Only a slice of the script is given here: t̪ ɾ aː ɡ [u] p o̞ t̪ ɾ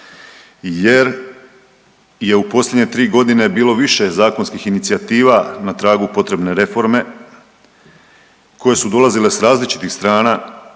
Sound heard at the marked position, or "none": u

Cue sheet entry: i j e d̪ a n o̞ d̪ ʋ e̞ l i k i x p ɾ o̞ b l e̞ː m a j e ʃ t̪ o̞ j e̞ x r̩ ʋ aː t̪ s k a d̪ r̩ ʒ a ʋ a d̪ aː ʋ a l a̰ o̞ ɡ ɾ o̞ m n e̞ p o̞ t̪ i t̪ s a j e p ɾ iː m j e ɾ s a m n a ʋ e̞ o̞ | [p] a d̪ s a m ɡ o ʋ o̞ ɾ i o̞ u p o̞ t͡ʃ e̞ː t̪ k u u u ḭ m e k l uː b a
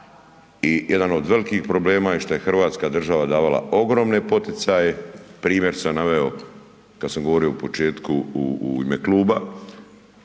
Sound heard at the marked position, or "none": k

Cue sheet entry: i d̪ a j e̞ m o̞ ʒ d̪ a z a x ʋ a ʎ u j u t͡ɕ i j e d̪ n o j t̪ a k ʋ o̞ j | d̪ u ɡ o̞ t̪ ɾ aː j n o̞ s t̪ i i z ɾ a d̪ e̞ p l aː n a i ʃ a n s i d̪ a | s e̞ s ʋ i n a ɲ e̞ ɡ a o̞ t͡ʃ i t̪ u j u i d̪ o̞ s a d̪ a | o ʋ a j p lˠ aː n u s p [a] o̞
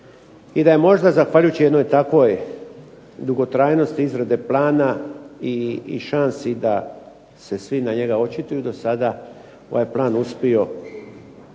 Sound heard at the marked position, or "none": i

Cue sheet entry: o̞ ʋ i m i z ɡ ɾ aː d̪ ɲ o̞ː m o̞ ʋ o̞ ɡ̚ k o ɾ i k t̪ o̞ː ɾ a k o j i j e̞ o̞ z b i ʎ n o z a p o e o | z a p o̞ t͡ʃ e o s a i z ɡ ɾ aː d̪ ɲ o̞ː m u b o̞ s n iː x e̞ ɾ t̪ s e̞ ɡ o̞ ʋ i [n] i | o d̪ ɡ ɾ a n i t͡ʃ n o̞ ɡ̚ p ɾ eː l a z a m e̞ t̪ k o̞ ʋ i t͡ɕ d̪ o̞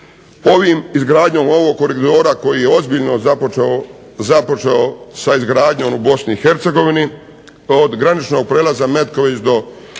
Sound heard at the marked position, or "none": n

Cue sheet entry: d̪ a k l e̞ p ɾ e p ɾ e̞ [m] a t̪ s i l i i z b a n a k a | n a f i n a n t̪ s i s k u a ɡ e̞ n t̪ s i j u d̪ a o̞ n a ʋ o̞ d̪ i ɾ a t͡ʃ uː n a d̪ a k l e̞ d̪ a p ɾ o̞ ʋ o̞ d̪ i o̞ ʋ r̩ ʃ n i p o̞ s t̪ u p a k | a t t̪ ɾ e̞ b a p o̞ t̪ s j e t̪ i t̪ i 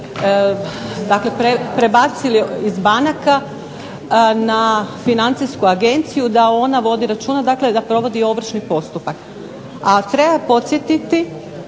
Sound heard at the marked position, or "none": b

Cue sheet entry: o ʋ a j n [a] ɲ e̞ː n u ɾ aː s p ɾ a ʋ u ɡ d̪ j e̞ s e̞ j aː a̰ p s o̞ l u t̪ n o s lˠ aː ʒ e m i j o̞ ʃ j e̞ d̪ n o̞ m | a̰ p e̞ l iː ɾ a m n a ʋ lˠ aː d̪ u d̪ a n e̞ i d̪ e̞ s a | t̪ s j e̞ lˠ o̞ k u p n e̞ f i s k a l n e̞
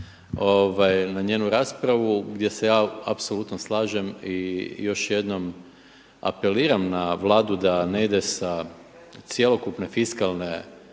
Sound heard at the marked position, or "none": a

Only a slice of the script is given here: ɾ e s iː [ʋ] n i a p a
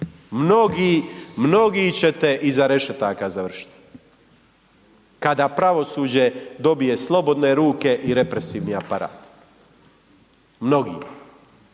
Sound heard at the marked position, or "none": ʋ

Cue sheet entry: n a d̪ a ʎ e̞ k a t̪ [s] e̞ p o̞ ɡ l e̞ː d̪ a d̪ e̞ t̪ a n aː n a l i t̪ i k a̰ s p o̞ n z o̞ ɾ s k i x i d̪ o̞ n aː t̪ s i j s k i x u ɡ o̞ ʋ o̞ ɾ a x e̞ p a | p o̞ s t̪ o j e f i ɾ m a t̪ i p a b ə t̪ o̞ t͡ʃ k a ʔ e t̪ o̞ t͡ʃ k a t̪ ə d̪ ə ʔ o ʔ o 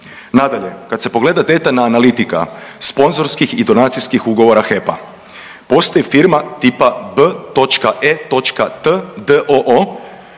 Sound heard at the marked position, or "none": s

